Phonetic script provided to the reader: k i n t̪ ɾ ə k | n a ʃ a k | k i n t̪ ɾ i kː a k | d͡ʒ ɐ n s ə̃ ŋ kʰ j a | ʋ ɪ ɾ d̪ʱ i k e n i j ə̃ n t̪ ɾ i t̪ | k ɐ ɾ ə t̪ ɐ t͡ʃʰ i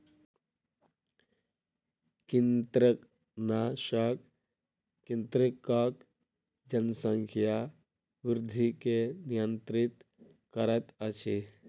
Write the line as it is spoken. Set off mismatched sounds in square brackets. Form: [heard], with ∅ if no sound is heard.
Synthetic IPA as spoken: k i n t̪ ɾ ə k | n a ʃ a k | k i n t̪ ɾ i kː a k | d͡ʒ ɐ n s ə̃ ŋ kʰ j a | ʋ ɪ ɾ d̪ʱ i k e n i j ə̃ n t̪ ɾ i t̪ | k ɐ ɾ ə t̪ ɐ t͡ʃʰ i